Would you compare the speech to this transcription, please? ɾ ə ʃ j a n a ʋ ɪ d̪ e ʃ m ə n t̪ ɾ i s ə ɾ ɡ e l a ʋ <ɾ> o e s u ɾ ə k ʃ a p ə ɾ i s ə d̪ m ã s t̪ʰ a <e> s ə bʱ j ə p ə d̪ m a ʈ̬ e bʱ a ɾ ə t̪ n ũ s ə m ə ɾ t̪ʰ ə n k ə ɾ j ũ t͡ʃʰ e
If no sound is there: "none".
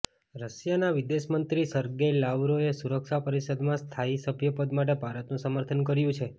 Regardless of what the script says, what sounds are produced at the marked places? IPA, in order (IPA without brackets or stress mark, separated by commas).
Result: ɾ, i